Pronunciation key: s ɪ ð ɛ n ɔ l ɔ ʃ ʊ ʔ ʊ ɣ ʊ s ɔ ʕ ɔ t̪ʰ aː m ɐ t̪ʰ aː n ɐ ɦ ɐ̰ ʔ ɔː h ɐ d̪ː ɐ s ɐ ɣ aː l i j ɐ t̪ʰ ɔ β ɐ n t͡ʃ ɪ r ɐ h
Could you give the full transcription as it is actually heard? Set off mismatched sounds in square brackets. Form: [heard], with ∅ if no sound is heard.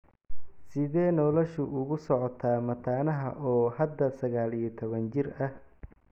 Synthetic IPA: s ɪ ð [ɛː] n ɔ l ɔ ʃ ʊ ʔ ʊ ɣ ʊ s ɔ ʕ ɔ t̪ʰ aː m ɐ t̪ʰ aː n ɐ ɦ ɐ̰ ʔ ɔː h ɐ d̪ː ɐ s ɐ ɣ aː l i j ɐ t̪ʰ ɔ β ɐ n t͡ʃ ɪ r ɐ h